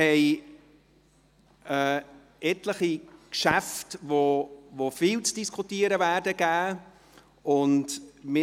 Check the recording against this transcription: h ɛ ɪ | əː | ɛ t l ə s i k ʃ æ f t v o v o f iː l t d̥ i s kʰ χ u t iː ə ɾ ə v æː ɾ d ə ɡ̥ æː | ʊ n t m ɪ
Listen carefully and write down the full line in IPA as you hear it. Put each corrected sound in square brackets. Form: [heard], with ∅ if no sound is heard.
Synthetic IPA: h ɛ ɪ | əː | ɛ t l ə [χ] i k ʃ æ f t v o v o f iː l [t͡s] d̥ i s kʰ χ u t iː ə ɾ ə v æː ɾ d ə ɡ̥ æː | ʊ n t m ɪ